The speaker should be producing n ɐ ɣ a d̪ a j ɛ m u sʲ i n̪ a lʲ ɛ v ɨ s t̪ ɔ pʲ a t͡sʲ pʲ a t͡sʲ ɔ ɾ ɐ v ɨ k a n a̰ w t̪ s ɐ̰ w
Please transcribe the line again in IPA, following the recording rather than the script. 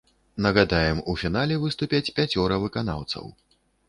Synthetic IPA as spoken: n ɐ ɣ a d̪ a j ɛ m u fʲ i n̪ a lʲ ɛ v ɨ s t̪ u pʲ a t͡sʲ pʲ a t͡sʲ ɔ ɾ ɐ v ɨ k a n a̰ w t̪ s ɐ̰ w